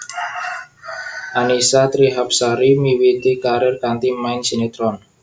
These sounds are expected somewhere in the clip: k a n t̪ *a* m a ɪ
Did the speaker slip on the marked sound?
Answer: yes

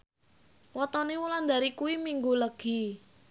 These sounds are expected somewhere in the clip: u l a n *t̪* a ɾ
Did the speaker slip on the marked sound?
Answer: yes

